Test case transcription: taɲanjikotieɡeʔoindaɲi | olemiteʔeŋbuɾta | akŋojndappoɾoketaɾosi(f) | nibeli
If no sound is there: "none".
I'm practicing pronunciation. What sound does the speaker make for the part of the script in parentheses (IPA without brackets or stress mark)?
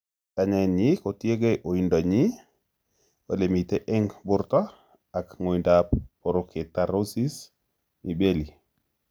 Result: s